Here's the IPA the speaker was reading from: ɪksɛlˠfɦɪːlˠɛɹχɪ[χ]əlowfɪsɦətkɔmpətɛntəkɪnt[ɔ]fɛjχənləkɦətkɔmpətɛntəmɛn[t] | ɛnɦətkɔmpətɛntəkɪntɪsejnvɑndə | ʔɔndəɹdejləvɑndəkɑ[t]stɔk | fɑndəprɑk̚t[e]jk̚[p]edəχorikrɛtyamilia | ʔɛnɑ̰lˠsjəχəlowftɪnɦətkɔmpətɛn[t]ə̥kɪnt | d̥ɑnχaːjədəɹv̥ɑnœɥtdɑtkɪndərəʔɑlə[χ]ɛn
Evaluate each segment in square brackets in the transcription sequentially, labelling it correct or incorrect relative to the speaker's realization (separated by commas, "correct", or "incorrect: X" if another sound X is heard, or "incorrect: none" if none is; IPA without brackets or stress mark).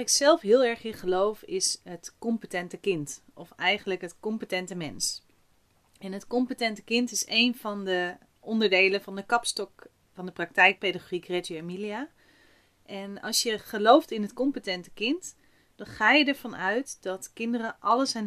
correct, correct, incorrect: s, incorrect: p, incorrect: ɛ, correct, correct, incorrect: s